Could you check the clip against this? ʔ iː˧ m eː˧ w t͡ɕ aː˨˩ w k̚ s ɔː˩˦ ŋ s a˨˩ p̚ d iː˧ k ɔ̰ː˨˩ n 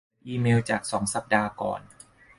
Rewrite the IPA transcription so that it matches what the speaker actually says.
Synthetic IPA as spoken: ʔ iː˧ m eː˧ w t͡ɕ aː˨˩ k̚ s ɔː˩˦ ŋ s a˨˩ p̚ d aː˧ k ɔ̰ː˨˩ n